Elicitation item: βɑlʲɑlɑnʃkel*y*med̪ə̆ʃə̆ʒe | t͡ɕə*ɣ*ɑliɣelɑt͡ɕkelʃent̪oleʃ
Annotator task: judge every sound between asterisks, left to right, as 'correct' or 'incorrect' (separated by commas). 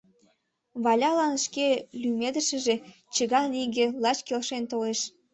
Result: correct, correct